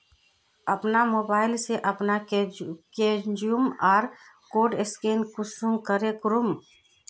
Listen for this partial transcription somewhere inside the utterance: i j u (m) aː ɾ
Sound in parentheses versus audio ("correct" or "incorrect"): correct